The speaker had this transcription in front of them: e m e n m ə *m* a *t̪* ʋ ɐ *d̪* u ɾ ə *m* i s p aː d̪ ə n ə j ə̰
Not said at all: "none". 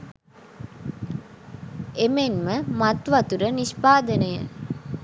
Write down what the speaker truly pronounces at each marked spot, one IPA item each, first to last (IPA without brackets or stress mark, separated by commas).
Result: m, t̪, t̪, n